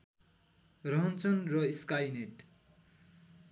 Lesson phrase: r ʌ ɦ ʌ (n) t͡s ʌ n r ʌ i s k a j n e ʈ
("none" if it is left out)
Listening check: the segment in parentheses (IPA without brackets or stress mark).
n